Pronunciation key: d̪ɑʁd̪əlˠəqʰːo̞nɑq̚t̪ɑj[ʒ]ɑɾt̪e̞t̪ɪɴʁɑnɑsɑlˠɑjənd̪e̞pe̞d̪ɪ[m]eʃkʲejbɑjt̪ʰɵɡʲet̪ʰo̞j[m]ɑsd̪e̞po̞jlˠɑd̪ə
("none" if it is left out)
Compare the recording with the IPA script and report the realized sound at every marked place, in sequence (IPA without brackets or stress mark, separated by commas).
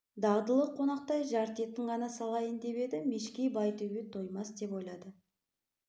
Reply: ʒ, m, m